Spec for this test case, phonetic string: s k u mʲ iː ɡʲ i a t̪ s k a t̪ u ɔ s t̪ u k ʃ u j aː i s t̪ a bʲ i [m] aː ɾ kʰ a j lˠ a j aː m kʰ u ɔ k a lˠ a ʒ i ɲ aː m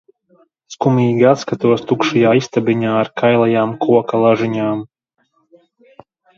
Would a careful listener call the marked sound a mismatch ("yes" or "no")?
yes